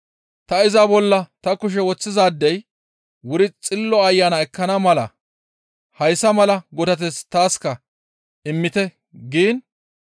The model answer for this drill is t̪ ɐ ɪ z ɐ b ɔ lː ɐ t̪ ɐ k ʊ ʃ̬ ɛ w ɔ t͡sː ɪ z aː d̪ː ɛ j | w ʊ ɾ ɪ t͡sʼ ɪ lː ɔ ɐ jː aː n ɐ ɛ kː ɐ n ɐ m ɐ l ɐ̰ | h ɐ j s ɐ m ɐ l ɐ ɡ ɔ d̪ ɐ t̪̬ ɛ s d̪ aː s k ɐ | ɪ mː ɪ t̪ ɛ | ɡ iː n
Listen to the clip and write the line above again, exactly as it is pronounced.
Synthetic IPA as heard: t̪ ɐ ɪ z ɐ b ɔ lː ɐ t̪ ɐ k ʊ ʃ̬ ɛ w ɔ t͡sː ɪ z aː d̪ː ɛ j | w ʊ ɾ ɪ t͡sʼ ɪ lː ɔ ɐ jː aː n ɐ ɛ kː ɐ n ɐ m ɐ l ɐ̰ | h ɐ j s ɐ m ɐ l ɐ ɡ ɔ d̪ ɐ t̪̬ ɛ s t̪ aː s k ɐ | ɪ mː ɪ t̪ ɛ | ɡ iː n